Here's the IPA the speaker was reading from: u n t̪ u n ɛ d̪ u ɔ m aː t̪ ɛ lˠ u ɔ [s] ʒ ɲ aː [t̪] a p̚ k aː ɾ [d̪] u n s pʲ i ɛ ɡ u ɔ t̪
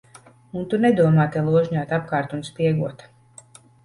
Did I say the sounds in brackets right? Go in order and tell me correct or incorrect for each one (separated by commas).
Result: incorrect, correct, incorrect